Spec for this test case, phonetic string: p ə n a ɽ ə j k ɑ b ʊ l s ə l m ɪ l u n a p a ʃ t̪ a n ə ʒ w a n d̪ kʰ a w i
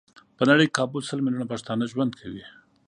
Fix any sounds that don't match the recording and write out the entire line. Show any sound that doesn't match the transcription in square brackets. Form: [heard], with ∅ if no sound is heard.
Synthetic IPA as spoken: p ə n a ɽ ə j k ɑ b ʊ l s ə l m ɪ l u n a p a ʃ t̪ [ɑ] n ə ʒ w a n d̪ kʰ a w i